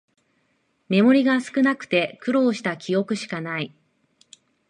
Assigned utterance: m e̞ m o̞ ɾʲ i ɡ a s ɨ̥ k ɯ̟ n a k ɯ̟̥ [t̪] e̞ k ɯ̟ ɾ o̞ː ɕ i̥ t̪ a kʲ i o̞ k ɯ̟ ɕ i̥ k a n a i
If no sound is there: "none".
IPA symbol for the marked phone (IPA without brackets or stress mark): t̪